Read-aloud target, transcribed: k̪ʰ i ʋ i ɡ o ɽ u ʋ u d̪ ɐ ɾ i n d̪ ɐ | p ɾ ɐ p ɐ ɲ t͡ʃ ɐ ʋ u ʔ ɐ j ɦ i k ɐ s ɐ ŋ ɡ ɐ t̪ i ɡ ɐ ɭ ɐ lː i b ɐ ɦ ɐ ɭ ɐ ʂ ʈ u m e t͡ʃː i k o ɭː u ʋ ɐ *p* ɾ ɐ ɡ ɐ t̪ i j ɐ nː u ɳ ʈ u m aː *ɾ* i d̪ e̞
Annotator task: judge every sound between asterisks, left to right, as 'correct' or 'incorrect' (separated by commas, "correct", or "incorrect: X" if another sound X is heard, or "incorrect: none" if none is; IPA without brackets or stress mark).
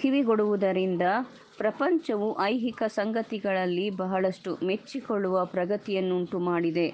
correct, incorrect: ɽ